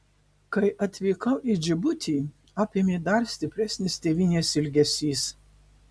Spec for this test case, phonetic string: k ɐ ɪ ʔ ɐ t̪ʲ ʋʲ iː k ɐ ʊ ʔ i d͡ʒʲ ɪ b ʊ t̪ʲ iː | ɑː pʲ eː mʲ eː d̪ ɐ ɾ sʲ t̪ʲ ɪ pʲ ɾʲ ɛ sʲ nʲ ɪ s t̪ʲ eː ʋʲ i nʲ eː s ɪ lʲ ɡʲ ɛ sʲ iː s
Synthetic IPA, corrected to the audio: k ɐ ɪ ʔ ɐ t̪ʲ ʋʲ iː k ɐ ʊ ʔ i d͡ʒʲ ɪ b ʊ t̪ʲ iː | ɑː pʲ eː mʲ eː d̪ ɐ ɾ sʲ t̪ʲ ɪ pʲ ɾʲ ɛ sʲ nʲ ɪ s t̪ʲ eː ʋʲ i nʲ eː s ɪ lʲ ɡʲ ɛ sʲ iː s